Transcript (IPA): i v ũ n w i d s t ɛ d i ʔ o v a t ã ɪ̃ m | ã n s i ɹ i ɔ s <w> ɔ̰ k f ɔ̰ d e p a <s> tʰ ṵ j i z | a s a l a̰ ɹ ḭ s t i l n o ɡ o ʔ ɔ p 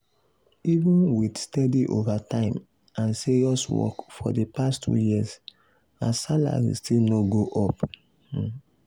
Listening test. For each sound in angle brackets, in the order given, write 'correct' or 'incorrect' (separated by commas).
correct, correct